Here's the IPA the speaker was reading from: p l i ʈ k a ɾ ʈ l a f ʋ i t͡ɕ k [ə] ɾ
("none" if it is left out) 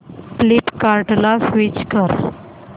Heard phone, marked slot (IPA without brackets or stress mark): ə